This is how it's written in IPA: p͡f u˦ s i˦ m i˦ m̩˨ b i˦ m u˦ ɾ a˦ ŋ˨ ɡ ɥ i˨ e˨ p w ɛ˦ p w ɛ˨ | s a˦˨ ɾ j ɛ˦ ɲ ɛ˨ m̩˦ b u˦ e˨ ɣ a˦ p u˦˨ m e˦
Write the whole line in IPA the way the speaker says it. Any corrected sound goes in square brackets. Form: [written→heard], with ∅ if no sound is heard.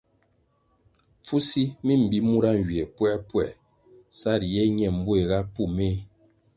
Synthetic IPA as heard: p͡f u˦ s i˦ m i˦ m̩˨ b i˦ m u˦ ɾ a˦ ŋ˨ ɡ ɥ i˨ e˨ p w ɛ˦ p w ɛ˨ | s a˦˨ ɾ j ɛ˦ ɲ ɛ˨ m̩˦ b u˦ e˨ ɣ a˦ p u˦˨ m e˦